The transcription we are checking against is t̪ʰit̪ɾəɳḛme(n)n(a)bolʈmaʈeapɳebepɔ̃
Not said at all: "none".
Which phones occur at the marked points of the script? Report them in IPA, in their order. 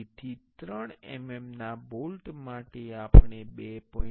m, a

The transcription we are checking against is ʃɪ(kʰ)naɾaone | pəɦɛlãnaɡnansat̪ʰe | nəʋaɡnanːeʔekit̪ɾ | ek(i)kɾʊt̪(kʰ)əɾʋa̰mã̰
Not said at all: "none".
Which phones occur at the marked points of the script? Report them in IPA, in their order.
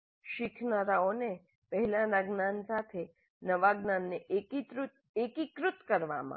kʰ, i, k

